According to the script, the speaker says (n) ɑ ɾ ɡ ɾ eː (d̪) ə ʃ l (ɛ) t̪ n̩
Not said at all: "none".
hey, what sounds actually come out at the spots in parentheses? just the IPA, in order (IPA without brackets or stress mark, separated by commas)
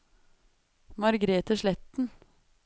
m, t̪, ɛ